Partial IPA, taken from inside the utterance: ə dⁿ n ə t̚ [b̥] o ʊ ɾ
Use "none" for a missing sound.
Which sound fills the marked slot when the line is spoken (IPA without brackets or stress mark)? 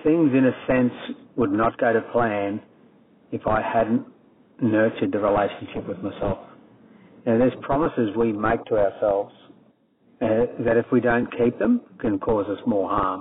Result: ɡ̥